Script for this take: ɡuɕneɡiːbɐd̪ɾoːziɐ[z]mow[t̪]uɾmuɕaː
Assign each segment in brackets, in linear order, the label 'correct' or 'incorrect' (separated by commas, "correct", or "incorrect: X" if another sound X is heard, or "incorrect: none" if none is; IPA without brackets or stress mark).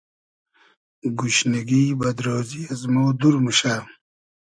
correct, incorrect: d̪